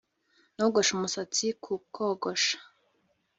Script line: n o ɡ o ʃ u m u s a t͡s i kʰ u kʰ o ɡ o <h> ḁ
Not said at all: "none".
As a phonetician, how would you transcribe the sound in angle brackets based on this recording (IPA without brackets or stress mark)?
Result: ʃ